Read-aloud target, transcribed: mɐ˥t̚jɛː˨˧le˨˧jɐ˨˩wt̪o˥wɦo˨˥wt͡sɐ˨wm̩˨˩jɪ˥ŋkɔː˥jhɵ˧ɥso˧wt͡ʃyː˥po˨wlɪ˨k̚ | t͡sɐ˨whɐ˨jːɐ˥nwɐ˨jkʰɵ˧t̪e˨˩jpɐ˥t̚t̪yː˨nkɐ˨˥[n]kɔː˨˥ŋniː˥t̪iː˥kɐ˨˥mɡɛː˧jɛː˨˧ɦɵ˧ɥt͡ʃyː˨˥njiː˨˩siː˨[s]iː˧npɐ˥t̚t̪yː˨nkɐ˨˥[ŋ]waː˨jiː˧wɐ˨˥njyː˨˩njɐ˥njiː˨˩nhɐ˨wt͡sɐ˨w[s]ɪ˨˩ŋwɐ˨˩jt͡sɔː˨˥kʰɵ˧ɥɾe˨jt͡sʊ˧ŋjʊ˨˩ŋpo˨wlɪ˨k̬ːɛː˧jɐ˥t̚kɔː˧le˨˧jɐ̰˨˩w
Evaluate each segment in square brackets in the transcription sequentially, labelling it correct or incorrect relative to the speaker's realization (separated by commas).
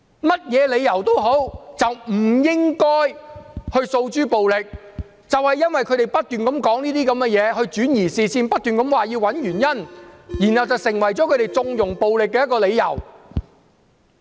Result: incorrect, correct, incorrect, correct